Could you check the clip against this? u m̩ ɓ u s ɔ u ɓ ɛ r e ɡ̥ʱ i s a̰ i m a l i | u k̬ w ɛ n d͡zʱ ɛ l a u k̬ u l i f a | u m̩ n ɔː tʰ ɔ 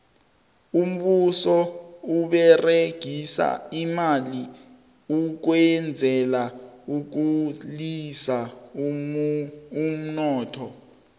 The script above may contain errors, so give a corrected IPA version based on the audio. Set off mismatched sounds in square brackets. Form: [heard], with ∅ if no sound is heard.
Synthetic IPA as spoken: u m̩ ɓ u s ɔ u ɓ ɛ r e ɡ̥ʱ i s a̰ i m a l i | u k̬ w ɛ n d͡zʱ ɛ l a u k̬ u l i [s] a | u m̩ n ɔː tʰ ɔ